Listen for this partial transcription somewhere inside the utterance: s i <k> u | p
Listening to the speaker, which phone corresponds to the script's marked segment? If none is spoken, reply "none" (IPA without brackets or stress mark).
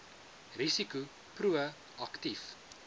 k